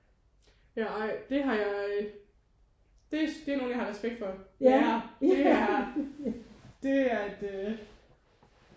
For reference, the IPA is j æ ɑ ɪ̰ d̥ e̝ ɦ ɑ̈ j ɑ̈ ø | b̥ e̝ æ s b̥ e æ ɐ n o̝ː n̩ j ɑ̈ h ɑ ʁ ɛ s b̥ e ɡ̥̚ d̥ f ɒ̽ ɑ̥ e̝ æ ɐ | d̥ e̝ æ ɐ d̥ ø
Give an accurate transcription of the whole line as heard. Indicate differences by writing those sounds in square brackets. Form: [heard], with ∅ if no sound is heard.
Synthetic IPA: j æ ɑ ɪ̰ d̥ e̝ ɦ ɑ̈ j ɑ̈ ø | [d̥] e̝ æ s [d̥] e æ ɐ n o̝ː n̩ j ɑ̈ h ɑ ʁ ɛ s b̥ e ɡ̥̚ d̥ f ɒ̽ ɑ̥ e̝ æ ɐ | d̥ e̝ æ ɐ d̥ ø